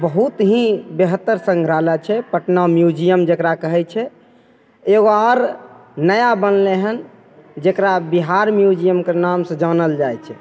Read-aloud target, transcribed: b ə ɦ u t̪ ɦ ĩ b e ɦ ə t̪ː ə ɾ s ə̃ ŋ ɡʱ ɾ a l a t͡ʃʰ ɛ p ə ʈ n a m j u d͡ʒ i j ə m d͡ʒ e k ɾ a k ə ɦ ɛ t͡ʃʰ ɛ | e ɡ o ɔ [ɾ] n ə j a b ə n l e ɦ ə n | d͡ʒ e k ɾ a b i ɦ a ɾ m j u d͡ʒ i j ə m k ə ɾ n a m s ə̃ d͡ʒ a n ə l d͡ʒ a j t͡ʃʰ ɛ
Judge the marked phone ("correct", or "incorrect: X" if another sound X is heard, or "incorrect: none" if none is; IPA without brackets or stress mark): correct